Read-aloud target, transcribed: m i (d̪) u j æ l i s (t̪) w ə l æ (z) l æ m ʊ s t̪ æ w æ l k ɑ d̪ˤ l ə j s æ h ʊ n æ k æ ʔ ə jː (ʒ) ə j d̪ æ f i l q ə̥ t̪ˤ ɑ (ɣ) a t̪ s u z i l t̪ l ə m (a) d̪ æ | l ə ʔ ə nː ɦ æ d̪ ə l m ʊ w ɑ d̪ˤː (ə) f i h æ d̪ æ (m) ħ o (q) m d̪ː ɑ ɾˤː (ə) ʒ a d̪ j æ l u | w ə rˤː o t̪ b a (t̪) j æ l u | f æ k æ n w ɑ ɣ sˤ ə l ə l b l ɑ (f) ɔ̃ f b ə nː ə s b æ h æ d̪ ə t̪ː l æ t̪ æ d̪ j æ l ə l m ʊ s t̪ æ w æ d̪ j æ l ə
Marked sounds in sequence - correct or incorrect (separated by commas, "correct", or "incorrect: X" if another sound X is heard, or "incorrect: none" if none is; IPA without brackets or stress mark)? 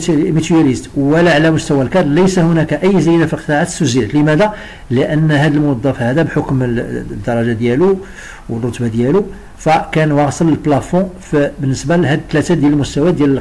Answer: incorrect: t̪, correct, incorrect: ʕ, incorrect: z, incorrect: ʕ, incorrect: æ, incorrect: ɑ, incorrect: b, incorrect: k, incorrect: ɑ, incorrect: d̪, correct